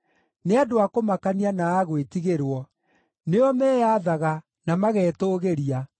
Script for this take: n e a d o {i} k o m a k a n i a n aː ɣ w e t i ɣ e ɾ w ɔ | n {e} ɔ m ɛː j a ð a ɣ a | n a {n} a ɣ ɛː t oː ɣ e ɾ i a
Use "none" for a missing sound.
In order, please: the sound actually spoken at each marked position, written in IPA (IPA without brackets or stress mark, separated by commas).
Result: a, e, m